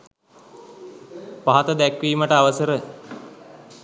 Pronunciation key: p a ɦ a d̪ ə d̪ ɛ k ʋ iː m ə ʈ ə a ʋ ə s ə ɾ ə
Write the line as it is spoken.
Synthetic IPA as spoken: p a ɦ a t̪ ə d̪ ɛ k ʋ iː m ə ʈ ə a ʋ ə s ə ɾ ə